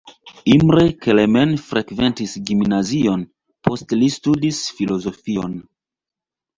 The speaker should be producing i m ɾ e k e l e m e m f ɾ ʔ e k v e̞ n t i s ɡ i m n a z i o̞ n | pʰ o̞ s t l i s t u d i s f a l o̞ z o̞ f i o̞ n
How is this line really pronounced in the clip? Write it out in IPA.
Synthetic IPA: i m ɾ e k e l e m e n f ɾ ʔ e k v e̞ n t i s ɡ i m n a z i o̞ n | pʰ o̞ s t l i s t u d i s f i l o̞ z o̞ f i o̞ n